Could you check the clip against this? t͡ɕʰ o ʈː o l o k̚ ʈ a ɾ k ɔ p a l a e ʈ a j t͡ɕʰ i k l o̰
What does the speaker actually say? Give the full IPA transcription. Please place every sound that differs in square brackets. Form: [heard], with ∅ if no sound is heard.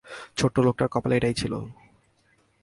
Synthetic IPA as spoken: t͡ɕʰ o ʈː o l o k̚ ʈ a ɾ k ɔ p a l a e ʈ a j t͡ɕʰ i [∅] l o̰